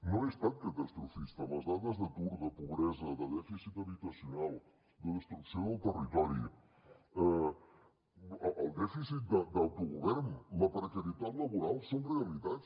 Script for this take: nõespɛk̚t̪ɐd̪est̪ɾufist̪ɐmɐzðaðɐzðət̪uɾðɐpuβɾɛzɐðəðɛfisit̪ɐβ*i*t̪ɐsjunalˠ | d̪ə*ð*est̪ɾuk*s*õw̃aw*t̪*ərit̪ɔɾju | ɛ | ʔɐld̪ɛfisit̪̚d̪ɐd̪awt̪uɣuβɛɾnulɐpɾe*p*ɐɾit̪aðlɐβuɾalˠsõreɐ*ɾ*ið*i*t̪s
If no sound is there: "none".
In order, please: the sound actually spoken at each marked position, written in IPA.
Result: i, ð, s, t̪, k, l, a

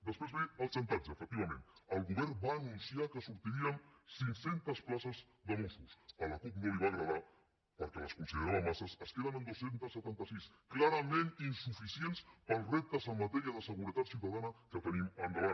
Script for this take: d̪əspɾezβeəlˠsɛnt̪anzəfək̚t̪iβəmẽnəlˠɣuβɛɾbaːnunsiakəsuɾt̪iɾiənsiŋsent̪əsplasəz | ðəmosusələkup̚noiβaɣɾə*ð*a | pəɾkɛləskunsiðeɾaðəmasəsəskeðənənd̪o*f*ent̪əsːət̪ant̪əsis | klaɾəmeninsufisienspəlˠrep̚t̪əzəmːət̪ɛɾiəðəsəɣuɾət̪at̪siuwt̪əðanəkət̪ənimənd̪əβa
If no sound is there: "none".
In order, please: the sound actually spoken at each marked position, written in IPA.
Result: ð, s

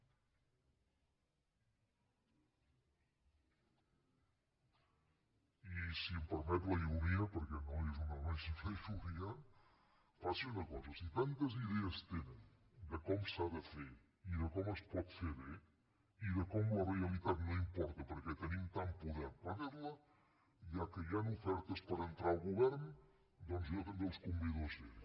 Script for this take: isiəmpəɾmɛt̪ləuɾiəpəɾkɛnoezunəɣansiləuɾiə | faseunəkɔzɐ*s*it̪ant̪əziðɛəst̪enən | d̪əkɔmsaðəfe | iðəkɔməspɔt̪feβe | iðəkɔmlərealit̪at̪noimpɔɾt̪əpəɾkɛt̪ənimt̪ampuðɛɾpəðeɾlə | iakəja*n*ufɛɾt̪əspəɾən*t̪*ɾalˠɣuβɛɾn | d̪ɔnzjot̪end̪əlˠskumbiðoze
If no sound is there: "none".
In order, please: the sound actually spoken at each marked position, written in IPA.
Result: s, n, t̪

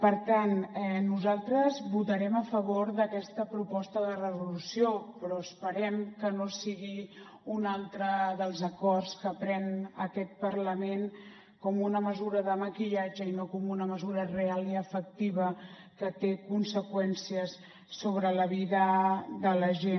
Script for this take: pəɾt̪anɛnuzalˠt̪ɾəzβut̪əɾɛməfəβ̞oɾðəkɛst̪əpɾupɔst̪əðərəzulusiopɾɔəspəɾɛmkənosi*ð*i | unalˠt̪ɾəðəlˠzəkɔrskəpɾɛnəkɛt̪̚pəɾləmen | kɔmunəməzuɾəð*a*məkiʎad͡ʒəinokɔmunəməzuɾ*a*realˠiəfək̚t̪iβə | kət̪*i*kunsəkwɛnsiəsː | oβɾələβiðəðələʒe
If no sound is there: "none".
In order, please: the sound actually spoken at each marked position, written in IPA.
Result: ɣ, ə, ə, e

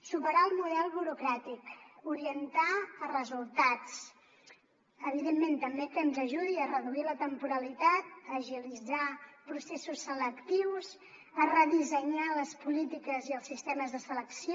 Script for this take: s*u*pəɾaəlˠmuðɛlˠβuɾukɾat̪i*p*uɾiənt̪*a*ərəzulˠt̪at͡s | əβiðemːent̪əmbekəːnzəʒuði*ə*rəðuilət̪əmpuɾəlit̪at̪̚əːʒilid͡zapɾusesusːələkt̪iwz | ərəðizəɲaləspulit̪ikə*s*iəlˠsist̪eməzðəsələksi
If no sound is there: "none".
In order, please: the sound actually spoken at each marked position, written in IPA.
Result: u, k, a, ə, z

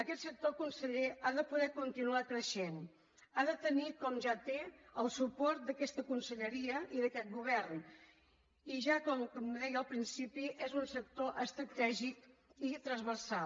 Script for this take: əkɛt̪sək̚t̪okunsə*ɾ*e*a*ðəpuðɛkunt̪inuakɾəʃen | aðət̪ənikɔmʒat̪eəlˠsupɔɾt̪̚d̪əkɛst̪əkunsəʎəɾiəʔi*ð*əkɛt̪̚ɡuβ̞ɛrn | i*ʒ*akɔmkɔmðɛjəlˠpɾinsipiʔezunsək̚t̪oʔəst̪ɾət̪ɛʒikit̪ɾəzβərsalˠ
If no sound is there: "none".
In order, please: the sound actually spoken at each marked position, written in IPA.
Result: ʎ, a, ð, ʒ

